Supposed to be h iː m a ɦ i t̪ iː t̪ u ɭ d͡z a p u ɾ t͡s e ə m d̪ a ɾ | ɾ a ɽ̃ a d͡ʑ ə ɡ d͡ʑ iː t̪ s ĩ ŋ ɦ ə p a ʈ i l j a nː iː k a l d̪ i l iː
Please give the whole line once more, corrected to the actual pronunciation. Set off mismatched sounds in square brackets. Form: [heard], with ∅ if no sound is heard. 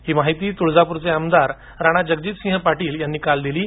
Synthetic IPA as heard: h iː m a ɦ i t̪ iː t̪ u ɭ d͡z a p u ɾ t͡s e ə m d̪ a ɾ | ɾ a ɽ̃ a d͡ʑ ə ɡ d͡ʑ iː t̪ s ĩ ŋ ɦ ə p a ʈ [iː] l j a nː iː k a l d̪ i l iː